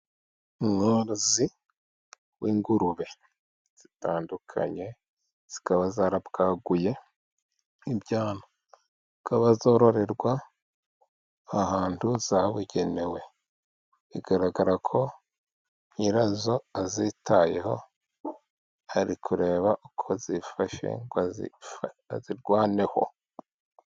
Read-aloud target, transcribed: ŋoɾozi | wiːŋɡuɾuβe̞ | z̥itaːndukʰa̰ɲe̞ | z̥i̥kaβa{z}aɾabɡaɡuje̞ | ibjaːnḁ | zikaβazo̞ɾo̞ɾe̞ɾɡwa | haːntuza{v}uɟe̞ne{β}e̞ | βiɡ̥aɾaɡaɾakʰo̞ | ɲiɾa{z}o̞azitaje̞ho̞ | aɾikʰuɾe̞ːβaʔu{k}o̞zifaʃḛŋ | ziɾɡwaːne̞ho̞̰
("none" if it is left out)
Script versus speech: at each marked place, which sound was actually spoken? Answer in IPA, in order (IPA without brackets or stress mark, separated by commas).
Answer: z, β, w, z, kʰ